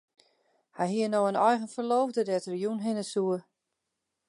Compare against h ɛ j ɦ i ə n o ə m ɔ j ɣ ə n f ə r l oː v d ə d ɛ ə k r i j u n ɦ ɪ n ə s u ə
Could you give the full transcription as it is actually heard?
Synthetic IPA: h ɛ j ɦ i ə n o ə n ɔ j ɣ ə n f ə r l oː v d ə d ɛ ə t r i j u n ɦ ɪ n ə s u ə